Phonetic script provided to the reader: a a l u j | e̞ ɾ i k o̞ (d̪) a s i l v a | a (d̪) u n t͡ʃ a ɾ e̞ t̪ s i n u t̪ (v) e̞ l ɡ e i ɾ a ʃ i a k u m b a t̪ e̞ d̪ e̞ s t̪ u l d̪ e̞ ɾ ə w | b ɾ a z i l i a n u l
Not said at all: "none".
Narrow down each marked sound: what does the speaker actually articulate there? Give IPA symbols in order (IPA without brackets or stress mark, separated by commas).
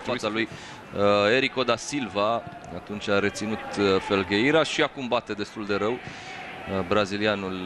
d̪, t̪, f